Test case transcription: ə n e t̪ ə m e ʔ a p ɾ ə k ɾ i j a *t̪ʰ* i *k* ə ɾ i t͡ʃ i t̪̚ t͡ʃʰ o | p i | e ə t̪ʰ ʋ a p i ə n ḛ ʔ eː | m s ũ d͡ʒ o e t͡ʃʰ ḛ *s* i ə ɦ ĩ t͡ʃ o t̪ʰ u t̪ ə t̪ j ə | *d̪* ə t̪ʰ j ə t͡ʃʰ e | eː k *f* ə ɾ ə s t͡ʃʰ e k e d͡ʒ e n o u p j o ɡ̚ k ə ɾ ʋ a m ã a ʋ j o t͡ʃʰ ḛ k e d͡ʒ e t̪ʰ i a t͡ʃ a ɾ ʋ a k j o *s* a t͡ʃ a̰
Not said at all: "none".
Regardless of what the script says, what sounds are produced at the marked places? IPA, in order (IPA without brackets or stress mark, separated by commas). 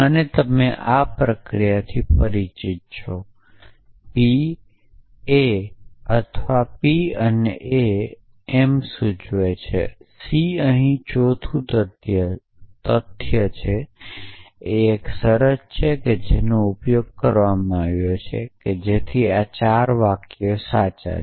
t̪ʰ, p, s, t̪, s, s